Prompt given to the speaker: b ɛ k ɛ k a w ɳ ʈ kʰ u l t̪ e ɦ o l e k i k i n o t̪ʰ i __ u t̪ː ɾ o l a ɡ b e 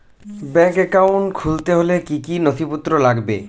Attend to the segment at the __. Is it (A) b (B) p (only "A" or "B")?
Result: B